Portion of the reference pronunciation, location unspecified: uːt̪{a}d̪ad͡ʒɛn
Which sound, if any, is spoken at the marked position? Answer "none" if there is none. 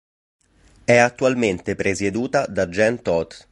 a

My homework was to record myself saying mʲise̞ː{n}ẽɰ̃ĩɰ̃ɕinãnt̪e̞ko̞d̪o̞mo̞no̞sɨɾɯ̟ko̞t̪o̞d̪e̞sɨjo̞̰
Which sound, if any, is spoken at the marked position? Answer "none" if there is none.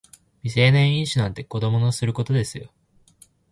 n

